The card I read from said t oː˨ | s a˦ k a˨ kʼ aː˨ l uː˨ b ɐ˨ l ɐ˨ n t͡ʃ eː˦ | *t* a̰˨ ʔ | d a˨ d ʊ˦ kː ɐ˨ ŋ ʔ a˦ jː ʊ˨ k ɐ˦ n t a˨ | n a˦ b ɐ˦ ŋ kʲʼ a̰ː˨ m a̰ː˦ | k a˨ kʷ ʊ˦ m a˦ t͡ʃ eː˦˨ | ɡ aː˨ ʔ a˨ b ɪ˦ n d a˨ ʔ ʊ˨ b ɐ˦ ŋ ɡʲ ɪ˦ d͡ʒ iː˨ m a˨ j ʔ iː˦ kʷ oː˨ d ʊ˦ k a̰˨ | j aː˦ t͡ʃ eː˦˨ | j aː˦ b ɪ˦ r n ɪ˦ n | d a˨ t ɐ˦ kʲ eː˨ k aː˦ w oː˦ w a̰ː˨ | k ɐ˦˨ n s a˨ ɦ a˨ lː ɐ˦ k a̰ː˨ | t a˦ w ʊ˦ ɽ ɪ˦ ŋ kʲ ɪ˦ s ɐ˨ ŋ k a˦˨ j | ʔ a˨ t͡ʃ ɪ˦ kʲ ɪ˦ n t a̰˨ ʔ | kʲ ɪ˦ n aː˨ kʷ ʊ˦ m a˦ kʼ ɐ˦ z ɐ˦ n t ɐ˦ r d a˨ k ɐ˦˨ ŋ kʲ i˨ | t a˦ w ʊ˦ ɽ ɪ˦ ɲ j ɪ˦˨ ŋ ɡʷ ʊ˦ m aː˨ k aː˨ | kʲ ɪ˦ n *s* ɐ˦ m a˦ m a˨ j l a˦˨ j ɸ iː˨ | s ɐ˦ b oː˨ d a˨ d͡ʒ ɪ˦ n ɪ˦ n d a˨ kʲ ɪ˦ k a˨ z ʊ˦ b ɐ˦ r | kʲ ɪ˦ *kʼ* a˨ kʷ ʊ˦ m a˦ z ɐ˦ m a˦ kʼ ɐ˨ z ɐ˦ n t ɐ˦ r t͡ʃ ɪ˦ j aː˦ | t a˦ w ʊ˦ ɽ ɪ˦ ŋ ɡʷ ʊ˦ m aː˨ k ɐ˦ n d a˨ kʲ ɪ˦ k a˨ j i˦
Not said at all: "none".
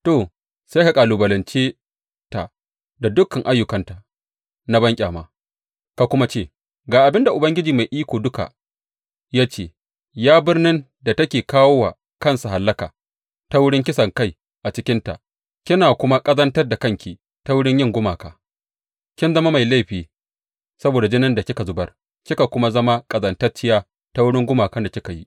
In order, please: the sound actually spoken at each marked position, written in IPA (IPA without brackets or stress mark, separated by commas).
t, z, k